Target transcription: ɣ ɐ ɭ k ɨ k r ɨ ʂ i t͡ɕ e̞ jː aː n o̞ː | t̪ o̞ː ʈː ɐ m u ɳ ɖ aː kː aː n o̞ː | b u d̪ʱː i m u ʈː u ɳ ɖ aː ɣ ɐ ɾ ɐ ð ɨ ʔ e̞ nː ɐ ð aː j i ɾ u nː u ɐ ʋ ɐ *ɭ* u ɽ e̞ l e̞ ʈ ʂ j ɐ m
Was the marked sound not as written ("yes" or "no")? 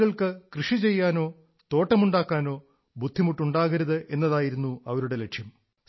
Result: yes